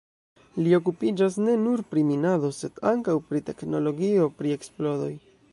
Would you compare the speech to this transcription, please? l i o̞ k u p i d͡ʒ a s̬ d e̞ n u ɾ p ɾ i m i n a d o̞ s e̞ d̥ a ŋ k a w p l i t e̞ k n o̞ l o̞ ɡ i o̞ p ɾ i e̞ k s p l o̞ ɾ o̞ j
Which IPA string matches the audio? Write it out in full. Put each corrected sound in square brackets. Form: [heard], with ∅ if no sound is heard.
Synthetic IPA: l i o̞ k u p i d͡ʒ a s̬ [n] e̞ n u ɾ p ɾ i m i n a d o̞ s e̞ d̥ a ŋ k a w p [ɾ] i t e̞ k n o̞ l o̞ ɡ i o̞ p ɾ i e̞ k s p l o̞ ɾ o̞ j